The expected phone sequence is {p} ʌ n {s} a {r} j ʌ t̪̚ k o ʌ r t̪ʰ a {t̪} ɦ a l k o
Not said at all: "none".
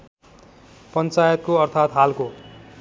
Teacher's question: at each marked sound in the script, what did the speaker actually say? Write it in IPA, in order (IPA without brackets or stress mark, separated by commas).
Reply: p, t͡s, none, t̪